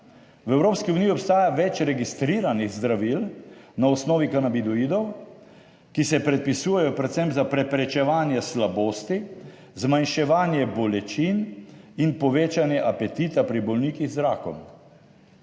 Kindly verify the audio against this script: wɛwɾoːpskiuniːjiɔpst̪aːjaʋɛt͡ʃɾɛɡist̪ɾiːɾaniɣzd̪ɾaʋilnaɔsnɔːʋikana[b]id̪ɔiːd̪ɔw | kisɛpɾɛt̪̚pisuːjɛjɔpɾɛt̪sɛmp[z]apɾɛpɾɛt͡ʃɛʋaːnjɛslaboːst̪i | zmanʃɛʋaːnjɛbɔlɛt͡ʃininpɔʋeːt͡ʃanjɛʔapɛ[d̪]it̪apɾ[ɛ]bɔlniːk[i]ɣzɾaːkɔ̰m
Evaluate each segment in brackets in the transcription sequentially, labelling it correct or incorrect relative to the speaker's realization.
correct, correct, incorrect, incorrect, correct

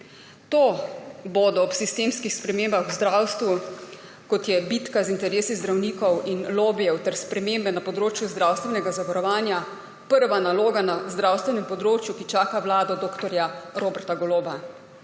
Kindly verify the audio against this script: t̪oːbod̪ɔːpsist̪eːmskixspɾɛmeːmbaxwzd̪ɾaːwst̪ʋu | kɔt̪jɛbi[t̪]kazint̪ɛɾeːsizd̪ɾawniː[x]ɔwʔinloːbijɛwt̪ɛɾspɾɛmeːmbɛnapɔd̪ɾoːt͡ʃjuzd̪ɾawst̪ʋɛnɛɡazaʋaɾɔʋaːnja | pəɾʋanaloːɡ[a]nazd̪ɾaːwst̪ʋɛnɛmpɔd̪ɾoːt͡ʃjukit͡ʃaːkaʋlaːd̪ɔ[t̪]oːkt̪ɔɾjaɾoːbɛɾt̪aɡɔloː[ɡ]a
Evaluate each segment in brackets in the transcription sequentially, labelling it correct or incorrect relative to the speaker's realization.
correct, incorrect, correct, incorrect, incorrect

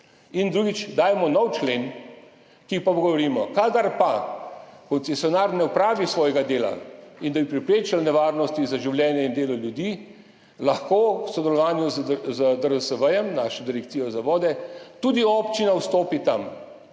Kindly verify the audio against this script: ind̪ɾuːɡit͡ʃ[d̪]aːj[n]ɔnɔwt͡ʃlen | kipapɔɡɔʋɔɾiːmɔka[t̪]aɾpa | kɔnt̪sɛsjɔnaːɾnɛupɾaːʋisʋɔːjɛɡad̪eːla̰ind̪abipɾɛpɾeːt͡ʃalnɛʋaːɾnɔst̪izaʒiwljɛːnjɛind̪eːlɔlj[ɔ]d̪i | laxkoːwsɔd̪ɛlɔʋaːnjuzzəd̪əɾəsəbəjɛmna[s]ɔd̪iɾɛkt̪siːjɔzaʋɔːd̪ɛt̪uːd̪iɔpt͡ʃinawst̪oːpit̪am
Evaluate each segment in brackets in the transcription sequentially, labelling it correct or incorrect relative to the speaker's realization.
correct, incorrect, incorrect, incorrect, incorrect

